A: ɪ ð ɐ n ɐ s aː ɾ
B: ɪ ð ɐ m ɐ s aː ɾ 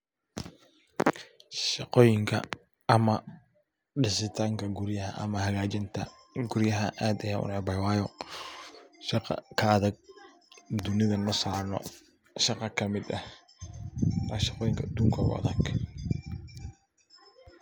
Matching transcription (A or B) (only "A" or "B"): A